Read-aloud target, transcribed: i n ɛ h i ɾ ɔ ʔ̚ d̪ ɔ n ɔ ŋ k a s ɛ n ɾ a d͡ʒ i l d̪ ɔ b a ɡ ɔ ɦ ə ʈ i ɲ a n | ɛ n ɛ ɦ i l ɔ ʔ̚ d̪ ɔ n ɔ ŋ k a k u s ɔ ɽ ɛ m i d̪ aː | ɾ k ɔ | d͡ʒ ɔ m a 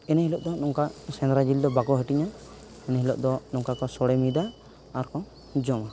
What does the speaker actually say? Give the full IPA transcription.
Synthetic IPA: ɛ n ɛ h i l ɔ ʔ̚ d̪ ɔ n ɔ ŋ k a s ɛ n ɾ a d͡ʒ i l d̪ ɔ b a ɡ ɔ ɦ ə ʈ i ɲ a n | ɛ n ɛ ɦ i l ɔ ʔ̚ d̪ ɔ n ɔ ŋ k a k ɔ s ɔ ɽ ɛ m i d̪ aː | ɾ k ɔ | d͡ʒ ɔ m a